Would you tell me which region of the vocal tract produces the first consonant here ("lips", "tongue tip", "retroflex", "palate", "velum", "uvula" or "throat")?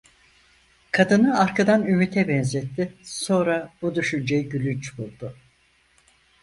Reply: velum